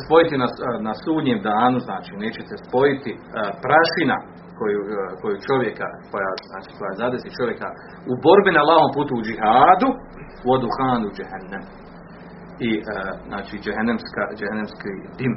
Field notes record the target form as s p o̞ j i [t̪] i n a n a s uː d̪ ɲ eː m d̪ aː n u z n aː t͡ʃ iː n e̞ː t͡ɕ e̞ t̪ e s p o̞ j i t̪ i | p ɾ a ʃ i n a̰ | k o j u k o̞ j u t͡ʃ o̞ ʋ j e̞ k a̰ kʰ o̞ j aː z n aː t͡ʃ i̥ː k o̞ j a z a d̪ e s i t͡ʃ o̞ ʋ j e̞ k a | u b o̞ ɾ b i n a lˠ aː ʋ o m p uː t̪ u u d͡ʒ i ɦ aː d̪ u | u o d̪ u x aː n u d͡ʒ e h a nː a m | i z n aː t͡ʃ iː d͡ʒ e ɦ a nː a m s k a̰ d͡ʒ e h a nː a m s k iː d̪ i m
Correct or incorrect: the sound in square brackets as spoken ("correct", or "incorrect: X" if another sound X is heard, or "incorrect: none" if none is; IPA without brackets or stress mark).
correct